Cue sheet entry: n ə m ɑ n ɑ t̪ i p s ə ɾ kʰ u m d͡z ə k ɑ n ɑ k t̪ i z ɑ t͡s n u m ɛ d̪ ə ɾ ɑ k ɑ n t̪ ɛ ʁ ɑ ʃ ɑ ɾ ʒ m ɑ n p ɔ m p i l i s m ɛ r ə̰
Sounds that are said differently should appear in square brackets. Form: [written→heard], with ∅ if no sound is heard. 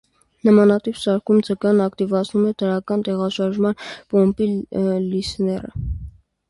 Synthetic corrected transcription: n ə m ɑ n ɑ t̪ i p s [ə→ɑ] ɾ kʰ u m d͡z ə k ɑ n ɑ k t̪ i [z→v] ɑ [t͡s→t͡sʰ] n u m ɛ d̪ ə ɾ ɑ k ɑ n t̪ ɛ ʁ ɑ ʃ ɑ ɾ ʒ m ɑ n p ɔ m p i l i s [m→n] ɛ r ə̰